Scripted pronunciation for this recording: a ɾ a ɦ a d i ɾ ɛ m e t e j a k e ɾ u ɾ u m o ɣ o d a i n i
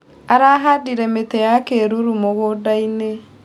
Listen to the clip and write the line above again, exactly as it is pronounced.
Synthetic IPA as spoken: a ɾ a ɦ a d i ɾ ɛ m e t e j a k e ɾ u ɾ u m o ɣ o d a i n e